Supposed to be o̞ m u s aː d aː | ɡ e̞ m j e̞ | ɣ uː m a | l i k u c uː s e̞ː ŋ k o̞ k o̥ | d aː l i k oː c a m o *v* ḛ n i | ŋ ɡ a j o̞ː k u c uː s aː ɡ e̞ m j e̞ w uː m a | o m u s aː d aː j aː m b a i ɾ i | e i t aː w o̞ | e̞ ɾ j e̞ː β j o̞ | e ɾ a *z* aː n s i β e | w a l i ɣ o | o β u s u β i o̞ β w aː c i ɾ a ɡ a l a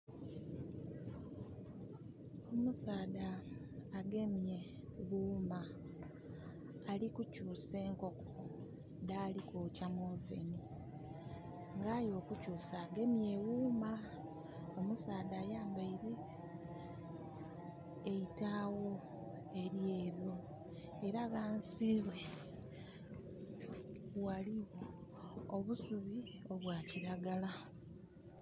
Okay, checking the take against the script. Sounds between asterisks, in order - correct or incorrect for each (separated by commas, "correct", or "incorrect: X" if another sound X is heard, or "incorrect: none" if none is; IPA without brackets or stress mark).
correct, incorrect: ɣ